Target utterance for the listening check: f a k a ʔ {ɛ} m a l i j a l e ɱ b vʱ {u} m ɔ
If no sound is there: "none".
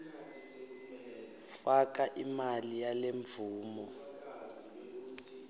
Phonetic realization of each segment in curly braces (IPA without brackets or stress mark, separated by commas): i, uː